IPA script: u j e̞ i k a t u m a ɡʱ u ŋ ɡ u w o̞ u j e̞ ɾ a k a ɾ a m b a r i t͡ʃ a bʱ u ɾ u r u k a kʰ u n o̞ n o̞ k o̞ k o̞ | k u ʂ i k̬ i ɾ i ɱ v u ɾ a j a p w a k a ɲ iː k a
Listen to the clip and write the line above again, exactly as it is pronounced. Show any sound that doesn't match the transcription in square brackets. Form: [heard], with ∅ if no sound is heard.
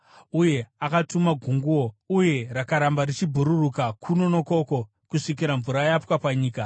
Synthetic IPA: u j e̞ [a] k a t u m a ɡʱ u ŋ ɡ u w o̞ u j e̞ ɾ a k a ɾ a m b a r i t͡ʃ [i] bʱ u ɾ u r u k a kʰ u n o̞ n o̞ k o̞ k o̞ | k u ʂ i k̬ i ɾ [a] ɱ v u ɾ a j a p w a [p] a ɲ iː k a